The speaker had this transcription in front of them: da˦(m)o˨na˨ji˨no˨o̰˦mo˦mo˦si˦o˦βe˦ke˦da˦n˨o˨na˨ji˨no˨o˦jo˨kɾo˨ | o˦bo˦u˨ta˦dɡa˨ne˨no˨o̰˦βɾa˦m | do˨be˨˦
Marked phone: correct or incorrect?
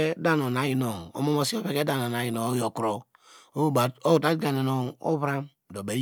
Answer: incorrect